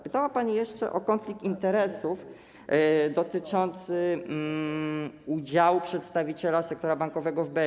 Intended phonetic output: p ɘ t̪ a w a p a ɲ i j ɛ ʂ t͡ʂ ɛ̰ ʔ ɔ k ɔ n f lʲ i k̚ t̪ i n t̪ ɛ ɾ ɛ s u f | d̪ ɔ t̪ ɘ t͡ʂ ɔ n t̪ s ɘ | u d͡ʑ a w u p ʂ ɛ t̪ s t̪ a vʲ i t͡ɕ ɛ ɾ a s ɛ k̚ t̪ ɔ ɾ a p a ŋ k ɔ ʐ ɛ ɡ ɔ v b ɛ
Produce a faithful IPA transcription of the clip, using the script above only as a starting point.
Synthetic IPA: p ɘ t̪ a w a p a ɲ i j ɛ ʂ t͡ʂ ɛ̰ ʔ ɔ k ɔ n f lʲ i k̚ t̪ i n t̪ ɛ ɾ ɛ s u f | d̪ ɔ t̪ ɘ t͡ʂ ɔ n t̪ s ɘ | u d͡ʑ a w u p ʂ ɛ t̪ s t̪ a vʲ i t͡ɕ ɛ l a s ɛ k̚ t̪ ɔ ɾ a b a ŋ k ɔ v ɛ ɡ ɔ v b ɛ